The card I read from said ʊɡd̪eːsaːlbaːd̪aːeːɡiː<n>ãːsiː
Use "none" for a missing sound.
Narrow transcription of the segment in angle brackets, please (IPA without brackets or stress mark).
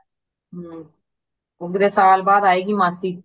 m